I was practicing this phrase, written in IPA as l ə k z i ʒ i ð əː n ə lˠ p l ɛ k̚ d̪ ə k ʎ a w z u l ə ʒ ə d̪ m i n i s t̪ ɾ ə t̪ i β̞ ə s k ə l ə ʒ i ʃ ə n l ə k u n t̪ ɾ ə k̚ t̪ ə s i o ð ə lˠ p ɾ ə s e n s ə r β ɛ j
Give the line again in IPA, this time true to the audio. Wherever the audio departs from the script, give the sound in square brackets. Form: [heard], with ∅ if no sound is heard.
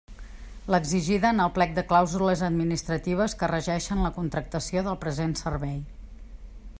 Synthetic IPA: l ə [ɡ] z i ʒ i ð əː n ə lˠ p l ɛ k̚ d̪ ə k [l] a w z u l ə [z] ə d̪ m i n i s t̪ ɾ ə t̪ i β̞ ə s k ə [r] ə ʒ [ɛ] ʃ ə n l ə k u n t̪ ɾ ə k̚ t̪ ə s i o ð ə lˠ p ɾ ə [z] e n s ə r β ɛ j